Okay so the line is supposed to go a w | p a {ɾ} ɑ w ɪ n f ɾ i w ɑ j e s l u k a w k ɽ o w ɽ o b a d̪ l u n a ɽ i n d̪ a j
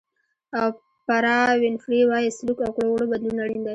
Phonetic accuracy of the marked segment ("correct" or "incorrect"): correct